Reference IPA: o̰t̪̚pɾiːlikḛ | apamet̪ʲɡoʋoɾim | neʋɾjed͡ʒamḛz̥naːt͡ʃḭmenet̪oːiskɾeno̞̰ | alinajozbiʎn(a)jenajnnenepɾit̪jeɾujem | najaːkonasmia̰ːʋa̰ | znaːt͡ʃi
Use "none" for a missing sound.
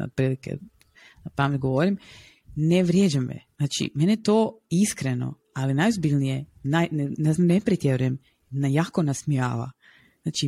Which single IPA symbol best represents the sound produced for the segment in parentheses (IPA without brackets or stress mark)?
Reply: i